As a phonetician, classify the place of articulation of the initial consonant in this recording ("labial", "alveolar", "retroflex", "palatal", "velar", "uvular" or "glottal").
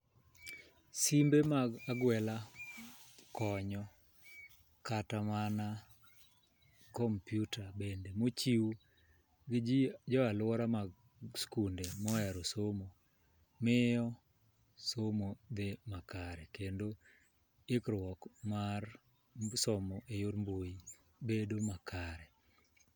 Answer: alveolar